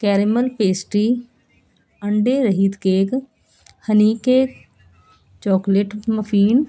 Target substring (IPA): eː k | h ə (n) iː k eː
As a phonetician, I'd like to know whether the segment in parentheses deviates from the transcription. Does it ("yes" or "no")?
no